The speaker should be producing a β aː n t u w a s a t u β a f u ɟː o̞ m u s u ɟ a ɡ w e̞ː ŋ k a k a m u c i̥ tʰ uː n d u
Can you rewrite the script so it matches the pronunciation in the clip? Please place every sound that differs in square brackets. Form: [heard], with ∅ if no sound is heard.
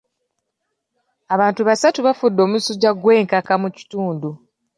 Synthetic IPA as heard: a β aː n t u [β] a s a t u β a f u [dː] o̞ m u s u ɟ a ɡ w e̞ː ŋ k a k a m u c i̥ [t] uː n d u